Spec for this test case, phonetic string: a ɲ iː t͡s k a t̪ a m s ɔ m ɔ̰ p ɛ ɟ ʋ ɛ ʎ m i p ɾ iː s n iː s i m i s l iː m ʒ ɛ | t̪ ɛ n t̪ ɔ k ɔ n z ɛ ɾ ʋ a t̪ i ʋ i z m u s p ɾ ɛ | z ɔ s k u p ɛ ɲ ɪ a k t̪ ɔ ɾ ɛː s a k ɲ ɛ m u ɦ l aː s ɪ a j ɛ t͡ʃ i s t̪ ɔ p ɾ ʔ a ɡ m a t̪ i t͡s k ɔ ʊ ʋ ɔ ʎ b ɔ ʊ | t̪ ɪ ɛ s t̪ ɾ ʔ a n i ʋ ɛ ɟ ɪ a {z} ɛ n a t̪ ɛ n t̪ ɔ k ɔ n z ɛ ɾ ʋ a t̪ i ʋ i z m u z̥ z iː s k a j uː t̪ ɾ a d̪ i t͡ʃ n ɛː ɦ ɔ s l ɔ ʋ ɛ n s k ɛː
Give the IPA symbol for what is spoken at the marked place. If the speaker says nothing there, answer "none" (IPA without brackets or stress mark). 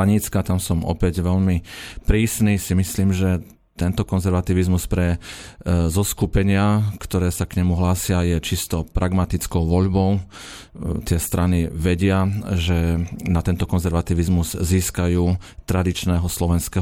ʒ